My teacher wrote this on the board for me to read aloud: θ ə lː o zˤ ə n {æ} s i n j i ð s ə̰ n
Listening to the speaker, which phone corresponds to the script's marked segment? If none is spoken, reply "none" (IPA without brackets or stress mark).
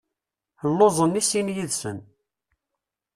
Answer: i